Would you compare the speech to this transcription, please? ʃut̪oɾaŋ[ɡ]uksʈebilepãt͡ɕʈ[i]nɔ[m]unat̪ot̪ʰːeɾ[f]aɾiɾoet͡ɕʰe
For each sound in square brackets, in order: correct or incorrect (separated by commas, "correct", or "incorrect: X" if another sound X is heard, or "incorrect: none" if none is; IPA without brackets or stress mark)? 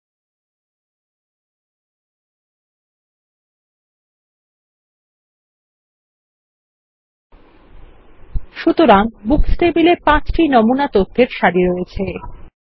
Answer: incorrect: b, correct, correct, incorrect: ʃ